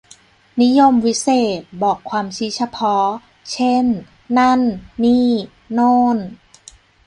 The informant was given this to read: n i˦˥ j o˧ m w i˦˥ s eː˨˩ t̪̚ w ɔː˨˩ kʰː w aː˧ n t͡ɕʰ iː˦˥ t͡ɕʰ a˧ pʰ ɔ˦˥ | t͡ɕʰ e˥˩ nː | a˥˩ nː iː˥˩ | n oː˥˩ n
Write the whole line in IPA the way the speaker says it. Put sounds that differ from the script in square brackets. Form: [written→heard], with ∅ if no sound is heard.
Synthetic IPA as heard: n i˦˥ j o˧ m w i˦˥ s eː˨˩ t̪̚ [w→b] ɔː˨˩ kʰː w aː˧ [n→m] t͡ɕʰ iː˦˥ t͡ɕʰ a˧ pʰ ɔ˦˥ | t͡ɕʰ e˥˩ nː | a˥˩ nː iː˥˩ | n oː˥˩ n